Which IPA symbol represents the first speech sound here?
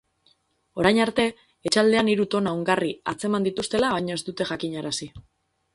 o̞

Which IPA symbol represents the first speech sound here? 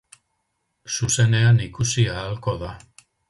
s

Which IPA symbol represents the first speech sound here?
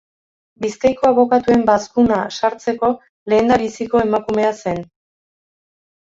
b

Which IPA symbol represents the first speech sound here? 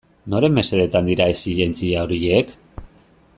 n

